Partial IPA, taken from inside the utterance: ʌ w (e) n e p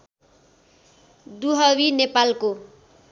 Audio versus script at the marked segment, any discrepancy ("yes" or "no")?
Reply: yes